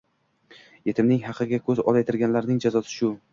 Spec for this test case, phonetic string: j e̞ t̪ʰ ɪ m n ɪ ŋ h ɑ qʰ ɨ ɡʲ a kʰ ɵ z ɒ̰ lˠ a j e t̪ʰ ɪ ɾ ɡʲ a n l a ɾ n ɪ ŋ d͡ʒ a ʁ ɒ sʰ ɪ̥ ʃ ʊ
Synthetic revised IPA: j e̞ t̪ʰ ɪ m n ɪ ŋ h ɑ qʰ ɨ ɡʲ a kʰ ɵ z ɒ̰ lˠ a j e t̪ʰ ɪ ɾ ɡʲ a n l a ɾ n ɪ ŋ d͡ʒ a z ɒ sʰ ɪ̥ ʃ ʊ